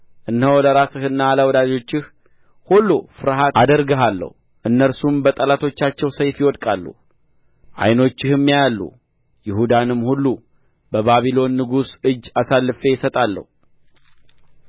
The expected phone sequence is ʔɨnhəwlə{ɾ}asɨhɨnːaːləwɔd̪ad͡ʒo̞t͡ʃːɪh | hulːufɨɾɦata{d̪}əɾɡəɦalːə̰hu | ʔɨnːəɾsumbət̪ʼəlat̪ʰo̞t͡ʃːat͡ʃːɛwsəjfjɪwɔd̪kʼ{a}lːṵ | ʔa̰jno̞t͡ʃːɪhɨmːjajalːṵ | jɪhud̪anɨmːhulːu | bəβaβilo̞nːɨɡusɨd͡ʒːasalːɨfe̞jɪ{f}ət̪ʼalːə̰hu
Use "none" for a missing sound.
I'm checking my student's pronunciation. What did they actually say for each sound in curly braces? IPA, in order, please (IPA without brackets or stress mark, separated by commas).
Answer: ɾ, d̪, a, s